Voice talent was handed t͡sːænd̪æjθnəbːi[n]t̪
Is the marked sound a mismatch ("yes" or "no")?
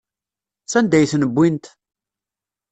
no